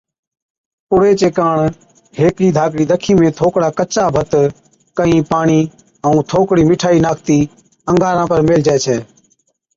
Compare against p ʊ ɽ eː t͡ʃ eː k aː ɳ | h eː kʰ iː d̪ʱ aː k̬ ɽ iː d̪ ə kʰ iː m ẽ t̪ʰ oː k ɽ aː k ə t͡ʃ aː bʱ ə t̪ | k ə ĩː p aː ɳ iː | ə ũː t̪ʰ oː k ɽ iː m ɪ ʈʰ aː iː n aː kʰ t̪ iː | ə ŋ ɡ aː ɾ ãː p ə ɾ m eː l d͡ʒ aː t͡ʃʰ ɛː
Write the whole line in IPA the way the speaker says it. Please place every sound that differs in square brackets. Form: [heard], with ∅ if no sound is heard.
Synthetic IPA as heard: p ʊ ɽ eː t͡ʃ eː k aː ɳ | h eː [k] iː d̪ʱ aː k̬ ɽ iː d̪ ə kʰ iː m [ẽː] t̪ʰ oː k ɽ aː k ə t͡ʃ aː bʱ ə t̪ | k ə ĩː p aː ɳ iː | ə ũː t̪ʰ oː k ɽ iː m ɪ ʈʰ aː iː n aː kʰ t̪ iː | ə ŋ ɡ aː ɾ ãː p ə ɾ m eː l d͡ʒ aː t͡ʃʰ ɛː